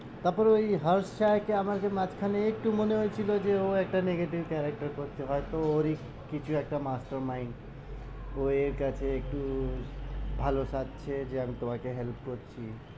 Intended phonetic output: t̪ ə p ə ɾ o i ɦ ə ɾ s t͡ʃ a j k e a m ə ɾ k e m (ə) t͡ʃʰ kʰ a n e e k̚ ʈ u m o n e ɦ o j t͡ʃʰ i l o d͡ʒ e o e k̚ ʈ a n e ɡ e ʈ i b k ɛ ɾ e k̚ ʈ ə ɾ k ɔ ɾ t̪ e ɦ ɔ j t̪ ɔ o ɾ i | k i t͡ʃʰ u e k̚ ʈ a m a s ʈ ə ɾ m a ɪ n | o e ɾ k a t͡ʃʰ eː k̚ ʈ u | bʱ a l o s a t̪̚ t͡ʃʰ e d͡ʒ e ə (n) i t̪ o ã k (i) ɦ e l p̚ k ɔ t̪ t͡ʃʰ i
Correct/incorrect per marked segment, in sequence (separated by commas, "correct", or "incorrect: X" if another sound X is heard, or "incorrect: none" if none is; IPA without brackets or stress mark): incorrect: a, incorrect: m, incorrect: e